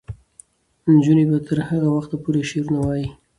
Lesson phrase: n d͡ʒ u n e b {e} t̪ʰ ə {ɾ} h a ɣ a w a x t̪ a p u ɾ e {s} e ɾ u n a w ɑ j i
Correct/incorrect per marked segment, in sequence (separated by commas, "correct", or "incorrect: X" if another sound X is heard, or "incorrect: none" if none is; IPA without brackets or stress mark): incorrect: a, correct, incorrect: ʃ